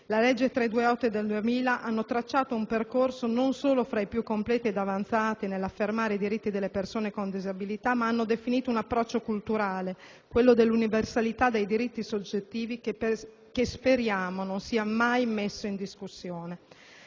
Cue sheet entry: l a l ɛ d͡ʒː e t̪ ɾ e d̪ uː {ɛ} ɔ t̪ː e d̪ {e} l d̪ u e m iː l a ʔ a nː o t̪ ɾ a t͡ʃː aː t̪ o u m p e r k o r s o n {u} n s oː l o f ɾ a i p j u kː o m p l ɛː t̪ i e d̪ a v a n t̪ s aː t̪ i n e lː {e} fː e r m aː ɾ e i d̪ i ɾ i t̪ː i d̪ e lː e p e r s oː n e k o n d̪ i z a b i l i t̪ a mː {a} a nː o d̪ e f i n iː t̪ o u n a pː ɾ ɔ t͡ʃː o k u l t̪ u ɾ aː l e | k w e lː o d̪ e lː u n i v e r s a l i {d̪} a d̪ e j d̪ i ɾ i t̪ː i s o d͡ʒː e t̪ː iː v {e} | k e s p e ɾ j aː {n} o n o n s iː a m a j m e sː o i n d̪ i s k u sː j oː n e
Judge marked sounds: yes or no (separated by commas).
no, yes, no, no, yes, no, no, no